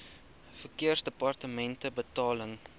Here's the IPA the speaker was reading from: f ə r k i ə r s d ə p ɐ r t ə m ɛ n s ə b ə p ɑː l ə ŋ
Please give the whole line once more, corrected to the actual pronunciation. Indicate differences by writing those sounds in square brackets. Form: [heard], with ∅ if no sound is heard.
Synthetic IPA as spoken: f ə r k i ə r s d ə p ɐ r t ə m ɛ n [t] ə b ə [t] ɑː l ə ŋ